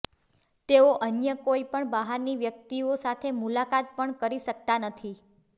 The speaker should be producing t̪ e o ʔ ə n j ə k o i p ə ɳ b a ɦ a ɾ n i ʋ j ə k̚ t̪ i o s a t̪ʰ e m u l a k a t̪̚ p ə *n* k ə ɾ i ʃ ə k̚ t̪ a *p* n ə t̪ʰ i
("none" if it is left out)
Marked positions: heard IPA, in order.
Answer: ɳ, none

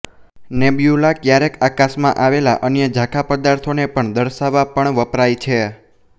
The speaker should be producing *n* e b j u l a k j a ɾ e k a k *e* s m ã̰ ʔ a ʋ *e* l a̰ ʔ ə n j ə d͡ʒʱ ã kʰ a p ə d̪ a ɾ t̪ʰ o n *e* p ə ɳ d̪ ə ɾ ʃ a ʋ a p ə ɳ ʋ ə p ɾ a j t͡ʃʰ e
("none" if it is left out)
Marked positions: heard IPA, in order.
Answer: n, a, e, e

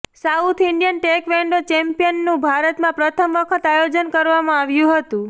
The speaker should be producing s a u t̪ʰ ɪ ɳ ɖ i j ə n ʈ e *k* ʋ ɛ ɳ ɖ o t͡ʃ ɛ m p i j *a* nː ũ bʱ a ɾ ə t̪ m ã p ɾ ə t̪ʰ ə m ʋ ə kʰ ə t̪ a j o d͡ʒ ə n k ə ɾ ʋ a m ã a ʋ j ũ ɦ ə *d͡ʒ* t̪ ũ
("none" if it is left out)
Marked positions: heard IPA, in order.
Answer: k, ə, none

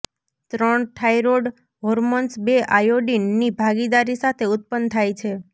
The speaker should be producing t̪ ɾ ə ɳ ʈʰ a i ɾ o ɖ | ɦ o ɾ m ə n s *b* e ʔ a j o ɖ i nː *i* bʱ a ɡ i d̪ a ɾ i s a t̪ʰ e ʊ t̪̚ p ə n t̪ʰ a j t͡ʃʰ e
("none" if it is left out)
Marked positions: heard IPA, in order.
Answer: b, i

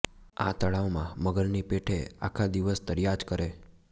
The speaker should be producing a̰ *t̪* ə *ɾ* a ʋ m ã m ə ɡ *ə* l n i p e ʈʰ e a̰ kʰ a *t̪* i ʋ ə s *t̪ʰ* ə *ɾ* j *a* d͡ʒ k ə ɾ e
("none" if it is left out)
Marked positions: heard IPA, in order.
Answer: t̪, ɭ, ə, d̪, t̪, ɾ, a

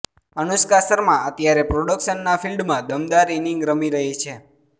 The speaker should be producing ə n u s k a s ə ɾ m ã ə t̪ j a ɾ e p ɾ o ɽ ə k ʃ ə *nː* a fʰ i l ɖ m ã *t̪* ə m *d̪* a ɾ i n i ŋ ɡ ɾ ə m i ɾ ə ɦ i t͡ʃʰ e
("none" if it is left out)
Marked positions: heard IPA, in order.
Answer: nː, d̪, d̪

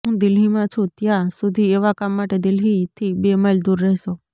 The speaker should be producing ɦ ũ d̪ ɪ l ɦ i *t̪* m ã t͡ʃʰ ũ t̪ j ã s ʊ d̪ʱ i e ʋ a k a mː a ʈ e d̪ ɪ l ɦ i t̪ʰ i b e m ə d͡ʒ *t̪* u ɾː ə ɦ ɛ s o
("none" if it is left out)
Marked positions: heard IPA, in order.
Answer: none, d̪

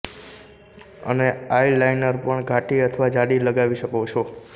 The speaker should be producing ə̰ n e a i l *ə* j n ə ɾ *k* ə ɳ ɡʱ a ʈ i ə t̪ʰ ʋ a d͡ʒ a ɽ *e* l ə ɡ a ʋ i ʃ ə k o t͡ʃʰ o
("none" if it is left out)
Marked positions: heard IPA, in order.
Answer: a, p, i

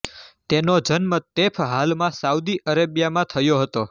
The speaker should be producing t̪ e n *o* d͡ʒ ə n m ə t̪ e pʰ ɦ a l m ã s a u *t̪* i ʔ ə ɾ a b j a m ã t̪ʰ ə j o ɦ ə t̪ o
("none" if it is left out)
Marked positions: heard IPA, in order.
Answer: o, d̪

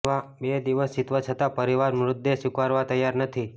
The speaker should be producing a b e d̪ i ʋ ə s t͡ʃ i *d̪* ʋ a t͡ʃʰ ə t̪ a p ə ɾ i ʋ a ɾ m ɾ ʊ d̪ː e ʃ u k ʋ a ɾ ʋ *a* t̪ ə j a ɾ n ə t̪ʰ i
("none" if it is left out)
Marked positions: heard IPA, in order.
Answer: t̪, a

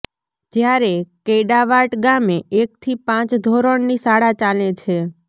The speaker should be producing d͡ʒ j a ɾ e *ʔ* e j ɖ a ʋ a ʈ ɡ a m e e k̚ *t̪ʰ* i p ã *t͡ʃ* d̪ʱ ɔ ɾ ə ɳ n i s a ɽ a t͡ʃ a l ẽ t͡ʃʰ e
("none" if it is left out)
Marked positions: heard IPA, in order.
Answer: k, t̪ʰ, t͡ʃ

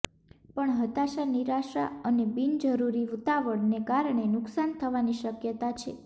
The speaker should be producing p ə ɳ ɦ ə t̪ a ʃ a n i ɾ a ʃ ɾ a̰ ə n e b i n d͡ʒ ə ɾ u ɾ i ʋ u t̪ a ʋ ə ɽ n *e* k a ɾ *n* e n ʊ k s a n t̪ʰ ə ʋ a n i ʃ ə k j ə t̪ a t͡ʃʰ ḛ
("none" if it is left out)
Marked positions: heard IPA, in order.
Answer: e, ɳ

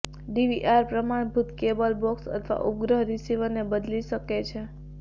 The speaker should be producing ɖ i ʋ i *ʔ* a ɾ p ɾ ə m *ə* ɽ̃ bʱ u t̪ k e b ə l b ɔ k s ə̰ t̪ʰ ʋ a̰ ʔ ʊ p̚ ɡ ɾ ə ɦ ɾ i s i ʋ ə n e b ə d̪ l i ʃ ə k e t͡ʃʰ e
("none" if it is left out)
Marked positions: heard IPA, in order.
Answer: ʔ, a

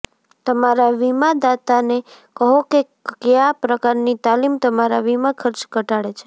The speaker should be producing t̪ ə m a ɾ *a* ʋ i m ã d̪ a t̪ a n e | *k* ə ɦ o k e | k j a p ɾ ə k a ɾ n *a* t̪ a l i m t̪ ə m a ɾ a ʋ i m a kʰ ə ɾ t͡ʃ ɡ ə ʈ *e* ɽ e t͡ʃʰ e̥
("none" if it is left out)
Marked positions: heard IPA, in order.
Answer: a, k, i, a

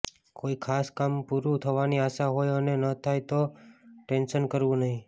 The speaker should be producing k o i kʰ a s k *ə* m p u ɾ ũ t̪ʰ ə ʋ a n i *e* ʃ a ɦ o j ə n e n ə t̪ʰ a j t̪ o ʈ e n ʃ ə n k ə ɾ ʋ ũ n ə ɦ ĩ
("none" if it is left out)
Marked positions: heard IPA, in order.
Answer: a, a

